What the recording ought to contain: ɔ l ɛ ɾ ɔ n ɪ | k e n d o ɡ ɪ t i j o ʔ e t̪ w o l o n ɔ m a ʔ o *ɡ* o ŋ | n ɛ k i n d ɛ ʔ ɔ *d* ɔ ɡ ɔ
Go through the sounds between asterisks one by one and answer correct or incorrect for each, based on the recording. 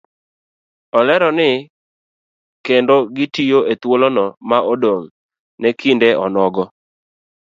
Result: incorrect, incorrect

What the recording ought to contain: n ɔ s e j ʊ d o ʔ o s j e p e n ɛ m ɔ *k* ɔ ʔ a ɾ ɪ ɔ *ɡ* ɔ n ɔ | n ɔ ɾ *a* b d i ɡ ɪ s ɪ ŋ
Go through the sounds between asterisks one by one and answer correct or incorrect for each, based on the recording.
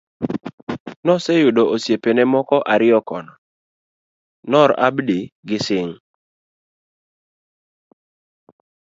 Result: correct, incorrect, correct

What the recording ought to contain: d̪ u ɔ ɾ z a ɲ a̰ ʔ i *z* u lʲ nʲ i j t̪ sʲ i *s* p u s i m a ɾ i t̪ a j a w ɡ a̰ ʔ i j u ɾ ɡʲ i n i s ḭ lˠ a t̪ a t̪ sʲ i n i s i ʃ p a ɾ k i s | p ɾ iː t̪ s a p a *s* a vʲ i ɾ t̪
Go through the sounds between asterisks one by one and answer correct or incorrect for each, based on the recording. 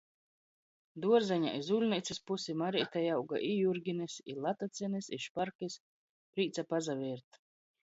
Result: correct, correct, incorrect

